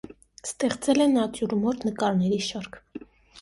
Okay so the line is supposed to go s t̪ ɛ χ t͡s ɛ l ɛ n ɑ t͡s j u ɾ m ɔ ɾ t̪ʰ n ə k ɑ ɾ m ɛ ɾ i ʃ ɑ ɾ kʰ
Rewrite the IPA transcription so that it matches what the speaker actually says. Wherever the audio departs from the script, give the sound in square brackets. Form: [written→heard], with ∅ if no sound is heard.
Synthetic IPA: s t̪ ɛ χ t͡s ɛ l ɛ n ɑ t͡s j u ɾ m ɔ ɾ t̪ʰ n ə k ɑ ɾ [m→n] ɛ ɾ i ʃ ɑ ɾ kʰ